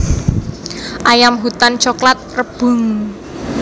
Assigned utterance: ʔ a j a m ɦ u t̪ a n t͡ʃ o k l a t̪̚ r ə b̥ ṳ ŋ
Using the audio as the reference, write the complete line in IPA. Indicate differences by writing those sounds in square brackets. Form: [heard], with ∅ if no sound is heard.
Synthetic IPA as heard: ʔ a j a m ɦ u t̪ a n t͡ʃ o k l a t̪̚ r ə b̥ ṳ ŋ